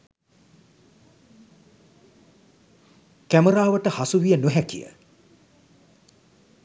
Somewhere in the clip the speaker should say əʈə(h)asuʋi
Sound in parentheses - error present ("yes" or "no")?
no